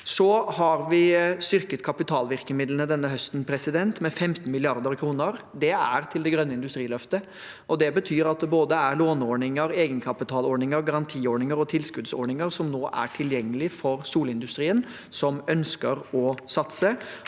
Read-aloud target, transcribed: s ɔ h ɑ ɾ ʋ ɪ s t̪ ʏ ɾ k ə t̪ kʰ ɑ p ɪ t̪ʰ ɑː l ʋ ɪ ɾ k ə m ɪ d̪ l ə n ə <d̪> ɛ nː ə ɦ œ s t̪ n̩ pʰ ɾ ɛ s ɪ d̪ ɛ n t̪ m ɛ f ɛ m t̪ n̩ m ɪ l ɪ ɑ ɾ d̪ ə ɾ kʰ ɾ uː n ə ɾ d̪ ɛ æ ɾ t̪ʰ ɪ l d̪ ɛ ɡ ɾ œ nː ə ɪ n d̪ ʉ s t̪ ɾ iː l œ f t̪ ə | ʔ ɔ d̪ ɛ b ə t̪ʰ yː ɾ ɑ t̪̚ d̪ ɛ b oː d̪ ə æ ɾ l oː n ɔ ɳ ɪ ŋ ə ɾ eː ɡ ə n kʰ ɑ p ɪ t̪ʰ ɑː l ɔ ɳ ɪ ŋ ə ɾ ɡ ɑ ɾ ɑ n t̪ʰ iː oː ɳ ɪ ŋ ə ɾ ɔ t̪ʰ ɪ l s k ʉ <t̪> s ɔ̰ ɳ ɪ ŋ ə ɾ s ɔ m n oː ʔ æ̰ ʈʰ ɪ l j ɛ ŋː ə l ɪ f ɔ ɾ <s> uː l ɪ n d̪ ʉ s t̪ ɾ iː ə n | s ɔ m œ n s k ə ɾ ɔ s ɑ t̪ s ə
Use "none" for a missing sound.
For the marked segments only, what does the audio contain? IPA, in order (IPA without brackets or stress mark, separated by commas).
d̪, d̪, s